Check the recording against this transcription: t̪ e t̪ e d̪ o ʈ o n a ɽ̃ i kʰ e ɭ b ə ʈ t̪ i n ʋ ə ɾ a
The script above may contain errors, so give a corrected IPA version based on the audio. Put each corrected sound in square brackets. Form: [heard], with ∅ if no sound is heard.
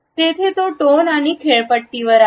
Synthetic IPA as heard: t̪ e [t̪ʰ] e [t̪] o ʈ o n a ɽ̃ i kʰ e ɭ [p] ə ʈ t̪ i [∅] ʋ ə ɾ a